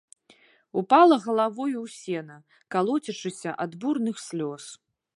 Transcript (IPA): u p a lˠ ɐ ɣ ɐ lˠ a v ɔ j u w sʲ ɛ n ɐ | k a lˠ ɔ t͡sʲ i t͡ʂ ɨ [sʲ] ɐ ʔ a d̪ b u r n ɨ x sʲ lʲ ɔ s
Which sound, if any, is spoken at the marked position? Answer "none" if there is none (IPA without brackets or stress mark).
sʲ